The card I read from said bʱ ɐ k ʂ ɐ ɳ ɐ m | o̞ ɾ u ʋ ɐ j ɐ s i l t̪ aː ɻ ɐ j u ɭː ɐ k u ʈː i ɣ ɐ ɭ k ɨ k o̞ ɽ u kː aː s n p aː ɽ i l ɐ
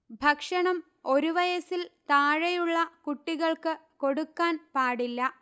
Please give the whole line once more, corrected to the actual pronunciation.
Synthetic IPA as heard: bʱ ɐ k ʂ ɐ ɳ ɐ m | o̞ ɾ u ʋ ɐ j ɐ s i l t̪ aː ɻ ɐ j u ɭː ɐ k u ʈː i ɣ ɐ ɭ k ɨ k o̞ ɽ u kː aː n p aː ɽ i lː ɐ